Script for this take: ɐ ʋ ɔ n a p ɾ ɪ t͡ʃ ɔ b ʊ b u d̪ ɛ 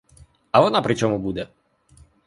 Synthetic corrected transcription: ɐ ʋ ɔ n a p ɾ ɪ t͡ʃ ɔ m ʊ b u d̪ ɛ